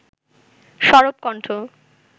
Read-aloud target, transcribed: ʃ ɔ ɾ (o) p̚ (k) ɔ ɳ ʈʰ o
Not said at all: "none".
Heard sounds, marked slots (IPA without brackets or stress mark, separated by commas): o, k